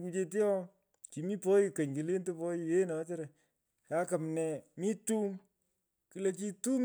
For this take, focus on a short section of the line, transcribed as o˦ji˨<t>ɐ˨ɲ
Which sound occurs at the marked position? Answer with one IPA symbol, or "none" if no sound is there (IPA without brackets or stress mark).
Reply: k